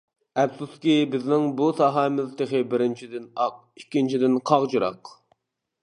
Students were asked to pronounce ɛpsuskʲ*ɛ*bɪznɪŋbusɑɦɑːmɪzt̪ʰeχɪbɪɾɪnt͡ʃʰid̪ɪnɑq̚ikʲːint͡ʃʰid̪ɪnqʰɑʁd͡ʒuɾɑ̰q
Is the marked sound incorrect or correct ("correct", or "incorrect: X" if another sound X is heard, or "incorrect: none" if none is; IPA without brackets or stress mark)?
incorrect: i